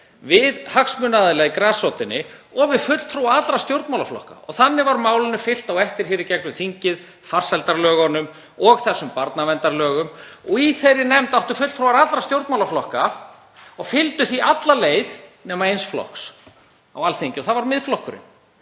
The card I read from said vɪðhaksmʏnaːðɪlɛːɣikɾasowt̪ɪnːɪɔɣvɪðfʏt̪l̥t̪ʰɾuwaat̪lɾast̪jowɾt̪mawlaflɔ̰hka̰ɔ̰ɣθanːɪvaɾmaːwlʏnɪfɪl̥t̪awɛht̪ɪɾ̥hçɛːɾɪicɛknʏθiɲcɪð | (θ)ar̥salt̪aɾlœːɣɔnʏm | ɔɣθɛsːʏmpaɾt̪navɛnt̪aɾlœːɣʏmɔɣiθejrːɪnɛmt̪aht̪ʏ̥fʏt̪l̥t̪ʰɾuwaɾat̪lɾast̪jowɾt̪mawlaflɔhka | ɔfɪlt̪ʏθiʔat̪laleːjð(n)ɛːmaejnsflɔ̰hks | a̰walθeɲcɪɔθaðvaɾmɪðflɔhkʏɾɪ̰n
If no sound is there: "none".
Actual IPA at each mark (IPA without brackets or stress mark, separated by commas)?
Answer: f, n